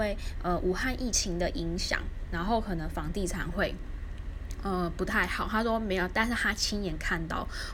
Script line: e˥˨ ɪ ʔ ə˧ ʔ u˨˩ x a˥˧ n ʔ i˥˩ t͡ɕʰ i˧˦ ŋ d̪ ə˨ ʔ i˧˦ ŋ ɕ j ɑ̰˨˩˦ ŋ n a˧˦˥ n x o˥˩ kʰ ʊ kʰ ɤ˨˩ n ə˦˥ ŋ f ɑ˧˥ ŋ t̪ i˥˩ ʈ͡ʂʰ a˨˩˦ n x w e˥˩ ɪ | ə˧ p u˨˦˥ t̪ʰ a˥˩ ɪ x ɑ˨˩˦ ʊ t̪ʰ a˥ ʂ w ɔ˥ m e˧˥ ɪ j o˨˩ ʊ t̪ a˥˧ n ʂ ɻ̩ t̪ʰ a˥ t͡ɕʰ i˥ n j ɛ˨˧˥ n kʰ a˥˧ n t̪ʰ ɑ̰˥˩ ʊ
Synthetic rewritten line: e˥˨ ɪ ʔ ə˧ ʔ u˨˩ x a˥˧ n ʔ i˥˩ t͡ɕʰ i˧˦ ŋ d̪ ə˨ ʔ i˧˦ ŋ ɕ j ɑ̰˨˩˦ ŋ n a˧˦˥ n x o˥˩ ʊ kʰ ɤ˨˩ n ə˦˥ ŋ f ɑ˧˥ ŋ t̪ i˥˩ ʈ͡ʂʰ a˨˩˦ n x w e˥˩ ɪ | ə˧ p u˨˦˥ t̪ʰ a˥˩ ɪ x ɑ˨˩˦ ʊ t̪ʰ a˥ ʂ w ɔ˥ m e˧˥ ɪ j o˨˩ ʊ t̪ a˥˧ n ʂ ɻ̩ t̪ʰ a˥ t͡ɕʰ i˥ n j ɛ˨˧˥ n kʰ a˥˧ n t̪ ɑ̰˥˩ ʊ